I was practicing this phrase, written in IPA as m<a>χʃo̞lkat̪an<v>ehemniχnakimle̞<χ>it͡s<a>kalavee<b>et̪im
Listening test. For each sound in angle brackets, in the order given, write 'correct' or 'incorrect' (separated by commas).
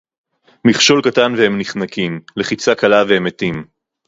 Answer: incorrect, correct, correct, correct, incorrect